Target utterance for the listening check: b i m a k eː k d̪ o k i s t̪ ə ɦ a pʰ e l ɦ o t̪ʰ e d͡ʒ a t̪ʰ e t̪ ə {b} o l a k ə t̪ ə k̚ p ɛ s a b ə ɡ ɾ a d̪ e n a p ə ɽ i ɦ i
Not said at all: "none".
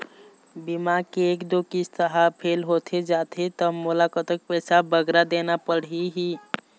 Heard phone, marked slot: m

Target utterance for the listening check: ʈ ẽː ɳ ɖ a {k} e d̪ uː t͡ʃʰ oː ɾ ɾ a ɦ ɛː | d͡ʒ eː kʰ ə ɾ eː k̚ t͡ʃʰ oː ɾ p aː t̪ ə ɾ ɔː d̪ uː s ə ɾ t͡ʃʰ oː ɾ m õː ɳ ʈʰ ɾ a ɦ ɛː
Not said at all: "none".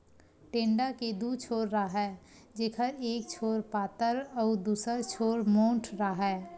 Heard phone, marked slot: k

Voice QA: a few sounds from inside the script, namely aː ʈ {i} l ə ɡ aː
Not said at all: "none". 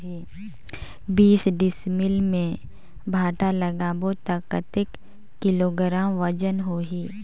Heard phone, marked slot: a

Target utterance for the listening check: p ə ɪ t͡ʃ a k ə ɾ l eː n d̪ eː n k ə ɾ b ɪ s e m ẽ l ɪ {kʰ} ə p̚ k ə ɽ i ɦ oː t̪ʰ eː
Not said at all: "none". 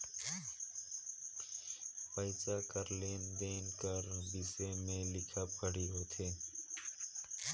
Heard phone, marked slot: kʰ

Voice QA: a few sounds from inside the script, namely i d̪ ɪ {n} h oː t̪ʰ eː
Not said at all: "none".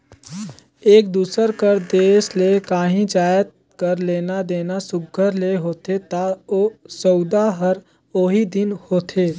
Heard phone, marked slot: n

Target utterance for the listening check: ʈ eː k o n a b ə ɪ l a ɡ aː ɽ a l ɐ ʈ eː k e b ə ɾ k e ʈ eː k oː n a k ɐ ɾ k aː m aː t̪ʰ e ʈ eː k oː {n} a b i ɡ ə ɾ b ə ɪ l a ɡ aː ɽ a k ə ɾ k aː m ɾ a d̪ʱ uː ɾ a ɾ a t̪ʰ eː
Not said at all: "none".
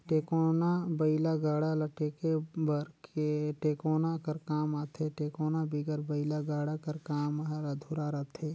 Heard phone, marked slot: n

